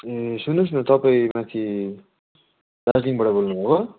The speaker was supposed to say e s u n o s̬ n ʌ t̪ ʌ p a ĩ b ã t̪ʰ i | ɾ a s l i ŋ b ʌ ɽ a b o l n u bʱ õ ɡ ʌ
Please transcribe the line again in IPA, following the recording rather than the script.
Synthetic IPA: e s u n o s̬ n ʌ t̪ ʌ p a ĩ m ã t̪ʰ i | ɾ a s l i ŋ b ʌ ɽ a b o l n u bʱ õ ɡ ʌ